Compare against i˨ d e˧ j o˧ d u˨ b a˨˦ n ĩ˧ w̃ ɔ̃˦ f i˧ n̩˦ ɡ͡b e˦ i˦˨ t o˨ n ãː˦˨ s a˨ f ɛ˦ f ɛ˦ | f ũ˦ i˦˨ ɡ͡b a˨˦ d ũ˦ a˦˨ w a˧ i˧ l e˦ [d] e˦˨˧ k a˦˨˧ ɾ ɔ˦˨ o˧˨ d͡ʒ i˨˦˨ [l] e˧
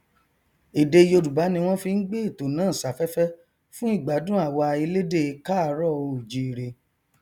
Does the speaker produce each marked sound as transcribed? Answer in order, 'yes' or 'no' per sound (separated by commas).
yes, no